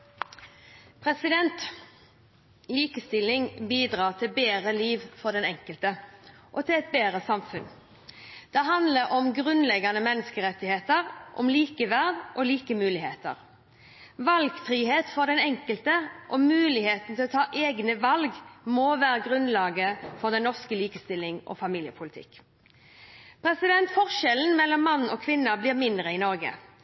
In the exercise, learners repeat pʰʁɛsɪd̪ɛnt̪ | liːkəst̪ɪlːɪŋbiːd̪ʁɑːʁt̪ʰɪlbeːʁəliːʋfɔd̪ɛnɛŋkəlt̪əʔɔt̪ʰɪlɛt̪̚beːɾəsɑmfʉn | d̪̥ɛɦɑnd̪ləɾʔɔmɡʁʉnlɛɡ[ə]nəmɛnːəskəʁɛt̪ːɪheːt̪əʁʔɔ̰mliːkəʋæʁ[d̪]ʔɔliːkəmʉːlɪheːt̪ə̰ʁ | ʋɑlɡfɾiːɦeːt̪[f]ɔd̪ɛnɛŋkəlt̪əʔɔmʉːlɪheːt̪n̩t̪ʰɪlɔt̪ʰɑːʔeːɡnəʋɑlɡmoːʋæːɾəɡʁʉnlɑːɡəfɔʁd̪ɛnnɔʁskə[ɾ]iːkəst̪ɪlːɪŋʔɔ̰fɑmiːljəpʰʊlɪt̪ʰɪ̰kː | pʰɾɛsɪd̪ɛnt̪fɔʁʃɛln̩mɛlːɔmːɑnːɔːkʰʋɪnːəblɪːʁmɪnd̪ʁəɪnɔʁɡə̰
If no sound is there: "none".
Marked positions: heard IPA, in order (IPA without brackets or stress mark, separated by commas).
ɑ, d̪, f, l